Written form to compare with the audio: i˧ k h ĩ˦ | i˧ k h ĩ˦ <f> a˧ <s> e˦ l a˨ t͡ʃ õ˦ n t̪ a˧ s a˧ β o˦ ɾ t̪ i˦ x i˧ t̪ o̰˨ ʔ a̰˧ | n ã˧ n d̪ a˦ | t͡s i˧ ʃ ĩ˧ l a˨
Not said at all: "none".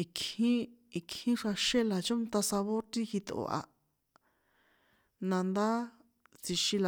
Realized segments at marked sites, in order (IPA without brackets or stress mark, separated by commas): ʂ, ʃ